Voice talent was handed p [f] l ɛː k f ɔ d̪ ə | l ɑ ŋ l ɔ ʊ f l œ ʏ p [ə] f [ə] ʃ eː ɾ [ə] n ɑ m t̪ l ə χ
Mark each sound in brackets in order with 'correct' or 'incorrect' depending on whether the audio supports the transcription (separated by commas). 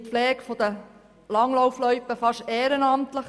correct, correct, incorrect, correct